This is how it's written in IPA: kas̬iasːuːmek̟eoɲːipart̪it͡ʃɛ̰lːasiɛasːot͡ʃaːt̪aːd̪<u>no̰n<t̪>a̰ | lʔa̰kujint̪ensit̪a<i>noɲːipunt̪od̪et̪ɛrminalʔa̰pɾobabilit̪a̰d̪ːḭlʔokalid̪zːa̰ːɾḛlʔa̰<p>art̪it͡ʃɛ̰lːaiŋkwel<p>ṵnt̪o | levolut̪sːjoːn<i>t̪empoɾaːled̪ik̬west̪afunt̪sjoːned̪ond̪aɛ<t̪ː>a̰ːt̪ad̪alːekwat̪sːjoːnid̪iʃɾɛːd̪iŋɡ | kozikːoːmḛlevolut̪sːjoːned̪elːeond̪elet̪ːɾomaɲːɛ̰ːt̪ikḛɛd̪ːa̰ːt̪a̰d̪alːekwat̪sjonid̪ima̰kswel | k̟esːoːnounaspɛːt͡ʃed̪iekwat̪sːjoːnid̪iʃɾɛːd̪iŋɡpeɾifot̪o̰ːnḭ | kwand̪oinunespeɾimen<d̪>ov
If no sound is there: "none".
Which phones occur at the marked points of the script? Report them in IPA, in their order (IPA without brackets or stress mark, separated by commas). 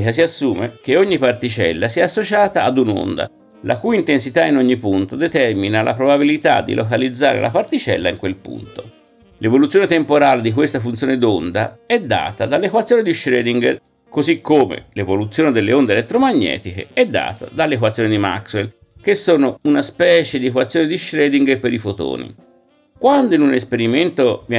u, d̪, i, p, p, e, d̪ː, t̪